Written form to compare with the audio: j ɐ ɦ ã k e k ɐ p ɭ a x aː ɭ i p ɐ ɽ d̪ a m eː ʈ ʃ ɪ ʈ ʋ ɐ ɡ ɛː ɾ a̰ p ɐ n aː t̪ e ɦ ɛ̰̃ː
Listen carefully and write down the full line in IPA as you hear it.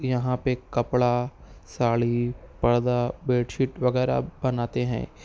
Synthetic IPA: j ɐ ɦ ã p e k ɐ p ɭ a s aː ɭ i p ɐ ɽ d̪ a b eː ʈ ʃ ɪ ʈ ʋ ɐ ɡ ɛː ɾ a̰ b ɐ n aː t̪ e ɦ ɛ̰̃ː

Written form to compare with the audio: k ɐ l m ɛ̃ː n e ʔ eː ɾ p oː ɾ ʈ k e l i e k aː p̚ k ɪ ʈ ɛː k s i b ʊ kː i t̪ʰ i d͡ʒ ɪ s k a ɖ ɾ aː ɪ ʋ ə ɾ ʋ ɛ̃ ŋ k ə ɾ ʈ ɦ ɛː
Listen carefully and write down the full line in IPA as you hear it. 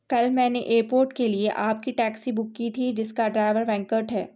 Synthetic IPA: k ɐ l m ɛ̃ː n e ʔ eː ɾ p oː ɾ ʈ k e l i e ʔ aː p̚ k i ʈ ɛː k s i b ʊ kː i t̪ʰ i d͡ʒ ɪ s k a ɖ ɾ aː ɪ ʋ ə ɾ ʋ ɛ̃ ŋ k ə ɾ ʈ ɦ ɛː

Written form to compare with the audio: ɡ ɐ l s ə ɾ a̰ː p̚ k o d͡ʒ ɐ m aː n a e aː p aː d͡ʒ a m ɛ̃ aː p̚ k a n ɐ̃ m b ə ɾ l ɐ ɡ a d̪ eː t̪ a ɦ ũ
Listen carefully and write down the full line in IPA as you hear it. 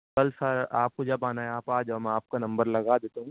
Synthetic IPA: k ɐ l s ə ɾ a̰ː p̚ k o d͡ʒ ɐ b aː n a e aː p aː d͡ʒ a m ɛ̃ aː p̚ k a n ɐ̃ m b ə ɾ l ɐ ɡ a d̪ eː t̪ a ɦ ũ

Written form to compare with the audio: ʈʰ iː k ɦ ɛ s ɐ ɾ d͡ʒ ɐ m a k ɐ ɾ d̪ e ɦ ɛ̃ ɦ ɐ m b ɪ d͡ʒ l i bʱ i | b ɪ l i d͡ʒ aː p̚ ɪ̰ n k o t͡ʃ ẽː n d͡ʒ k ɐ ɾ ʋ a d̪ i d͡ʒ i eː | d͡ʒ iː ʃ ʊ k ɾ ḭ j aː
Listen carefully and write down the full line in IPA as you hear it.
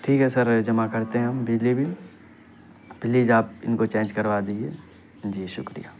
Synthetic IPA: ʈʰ iː k ɦ ɛ s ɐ ɾ d͡ʒ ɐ m a k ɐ ɾ t̪ e ɦ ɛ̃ ɦ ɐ m b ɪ d͡ʒ l i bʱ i | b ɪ l i d͡ʒ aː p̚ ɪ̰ n k o t͡ʃ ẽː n d͡ʒ k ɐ ɾ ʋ a d̪ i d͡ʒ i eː | d͡ʒ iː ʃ ʊ k ɾ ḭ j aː

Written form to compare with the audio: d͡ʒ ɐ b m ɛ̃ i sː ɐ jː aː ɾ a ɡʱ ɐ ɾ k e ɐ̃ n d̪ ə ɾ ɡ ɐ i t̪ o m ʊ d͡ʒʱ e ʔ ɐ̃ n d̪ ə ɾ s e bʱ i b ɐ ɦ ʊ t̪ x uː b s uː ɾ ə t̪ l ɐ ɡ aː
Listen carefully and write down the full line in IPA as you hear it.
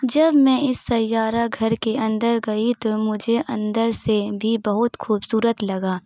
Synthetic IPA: d͡ʒ ɐ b m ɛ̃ ɪ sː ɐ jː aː ɾ a ɡʱ ɐ ɾ k e ɐ̃ n d̪ ə ɾ ɡ ɐ i t̪ o m ʊ d͡ʒʱ e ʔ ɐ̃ n d̪ ə ɾ s e bʱ i b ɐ ɦ ʊ t̪ x uː b s uː ɾ ə t̪ l ɐ ɡ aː

